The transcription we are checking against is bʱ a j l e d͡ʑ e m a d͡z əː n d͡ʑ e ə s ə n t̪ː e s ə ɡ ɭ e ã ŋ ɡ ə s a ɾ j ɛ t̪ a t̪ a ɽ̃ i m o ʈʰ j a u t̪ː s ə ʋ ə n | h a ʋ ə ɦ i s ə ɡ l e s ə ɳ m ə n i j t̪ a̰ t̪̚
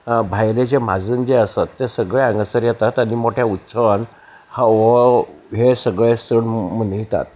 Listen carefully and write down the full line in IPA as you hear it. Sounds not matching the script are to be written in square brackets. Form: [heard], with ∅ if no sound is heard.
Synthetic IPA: bʱ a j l e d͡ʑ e m a d͡z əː n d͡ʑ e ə s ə [∅] t̪ː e s ə ɡ ɭ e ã ŋ ɡ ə s [ə] ɾ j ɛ t̪ a t̪ a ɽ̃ i m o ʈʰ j a u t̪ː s ə ʋ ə n | h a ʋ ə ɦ [e] s ə ɡ [ɭ] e s ə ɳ m ə n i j t̪ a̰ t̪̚

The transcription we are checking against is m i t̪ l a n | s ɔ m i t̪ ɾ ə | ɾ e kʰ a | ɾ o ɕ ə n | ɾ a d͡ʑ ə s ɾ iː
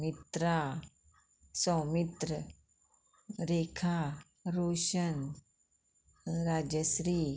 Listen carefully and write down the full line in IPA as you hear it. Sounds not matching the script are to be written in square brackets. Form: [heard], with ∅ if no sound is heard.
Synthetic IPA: m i t̪ [ɾ] a [∅] | s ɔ m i t̪ ɾ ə | ɾ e kʰ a | ɾ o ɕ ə n | ɾ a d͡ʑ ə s ɾ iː

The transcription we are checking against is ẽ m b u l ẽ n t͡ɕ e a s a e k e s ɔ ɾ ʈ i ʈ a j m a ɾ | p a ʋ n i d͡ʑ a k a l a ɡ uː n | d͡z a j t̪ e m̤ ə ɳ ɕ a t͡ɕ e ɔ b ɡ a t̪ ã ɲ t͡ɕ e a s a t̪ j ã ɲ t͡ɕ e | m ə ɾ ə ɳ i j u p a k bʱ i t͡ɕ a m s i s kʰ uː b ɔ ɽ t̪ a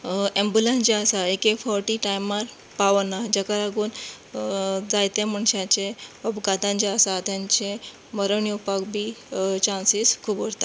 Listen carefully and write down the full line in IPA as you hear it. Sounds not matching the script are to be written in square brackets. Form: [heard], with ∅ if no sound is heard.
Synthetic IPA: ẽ m b u l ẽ n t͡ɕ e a s a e k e [f] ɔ ɾ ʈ i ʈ a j m a ɾ | p a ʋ n [a] d͡ʑ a k a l a ɡ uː n | d͡z a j t̪ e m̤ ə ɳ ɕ a t͡ɕ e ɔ b ɡ a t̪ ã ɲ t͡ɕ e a s a t̪ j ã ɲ t͡ɕ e | m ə ɾ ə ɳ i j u p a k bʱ i t͡ɕ a [n] s i s kʰ uː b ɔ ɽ t̪ a

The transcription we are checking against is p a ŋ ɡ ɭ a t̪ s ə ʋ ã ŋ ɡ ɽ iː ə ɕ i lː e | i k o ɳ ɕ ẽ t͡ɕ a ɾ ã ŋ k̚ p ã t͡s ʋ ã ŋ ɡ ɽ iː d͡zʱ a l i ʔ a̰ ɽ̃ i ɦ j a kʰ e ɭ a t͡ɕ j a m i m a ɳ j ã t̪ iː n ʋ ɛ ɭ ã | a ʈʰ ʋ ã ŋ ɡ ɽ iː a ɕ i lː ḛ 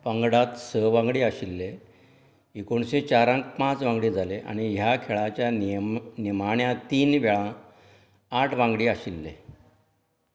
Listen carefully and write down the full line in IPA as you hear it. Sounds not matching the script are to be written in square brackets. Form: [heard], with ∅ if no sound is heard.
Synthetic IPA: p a ŋ ɡ [ɽ] a t̪ s ə ʋ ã ŋ ɡ ɽ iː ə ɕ i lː e | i k o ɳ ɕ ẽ t͡ɕ a ɾ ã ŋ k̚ p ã t͡s ʋ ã ŋ ɡ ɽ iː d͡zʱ a l [e] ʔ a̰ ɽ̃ i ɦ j a kʰ e ɭ a t͡ɕ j a [n] i m a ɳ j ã t̪ iː n ʋ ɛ ɭ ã | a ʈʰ ʋ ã ŋ ɡ ɽ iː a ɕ i lː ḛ

